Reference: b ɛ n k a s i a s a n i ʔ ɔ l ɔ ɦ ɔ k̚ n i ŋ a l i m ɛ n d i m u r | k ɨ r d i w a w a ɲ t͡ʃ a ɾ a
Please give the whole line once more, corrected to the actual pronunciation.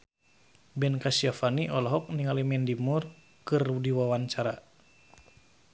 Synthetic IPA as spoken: b ɛ n k a s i a f a n i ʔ ɔ l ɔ ɦ ɔ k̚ n i ŋ a l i m ɛ n d i m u r | k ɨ r d i w a w a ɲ t͡ʃ a ɾ a